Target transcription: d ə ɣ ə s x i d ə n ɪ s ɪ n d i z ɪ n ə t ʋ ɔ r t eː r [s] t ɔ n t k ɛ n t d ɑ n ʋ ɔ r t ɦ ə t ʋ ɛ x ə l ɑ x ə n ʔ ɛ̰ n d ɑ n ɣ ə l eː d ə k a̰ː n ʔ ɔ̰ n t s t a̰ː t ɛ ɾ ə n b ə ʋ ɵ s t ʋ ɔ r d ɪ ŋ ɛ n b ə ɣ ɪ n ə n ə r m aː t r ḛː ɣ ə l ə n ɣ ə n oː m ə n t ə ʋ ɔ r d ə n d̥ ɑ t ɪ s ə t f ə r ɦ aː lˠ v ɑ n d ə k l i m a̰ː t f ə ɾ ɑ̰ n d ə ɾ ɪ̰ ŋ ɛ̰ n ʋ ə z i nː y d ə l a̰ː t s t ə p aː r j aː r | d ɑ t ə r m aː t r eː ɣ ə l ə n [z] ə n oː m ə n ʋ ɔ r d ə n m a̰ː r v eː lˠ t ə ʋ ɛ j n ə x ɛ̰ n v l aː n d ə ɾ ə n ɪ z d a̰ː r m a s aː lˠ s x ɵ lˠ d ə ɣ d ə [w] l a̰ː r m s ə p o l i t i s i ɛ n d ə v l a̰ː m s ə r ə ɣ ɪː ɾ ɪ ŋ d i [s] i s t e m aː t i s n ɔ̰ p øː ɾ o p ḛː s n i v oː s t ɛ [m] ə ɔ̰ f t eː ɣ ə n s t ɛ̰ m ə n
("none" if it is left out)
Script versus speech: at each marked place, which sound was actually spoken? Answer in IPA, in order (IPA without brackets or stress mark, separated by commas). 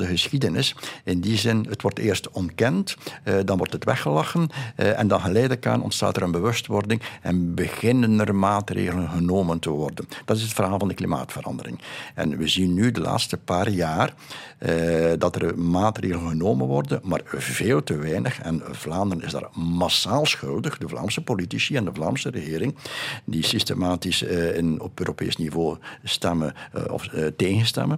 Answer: s, ɣ, v, s, m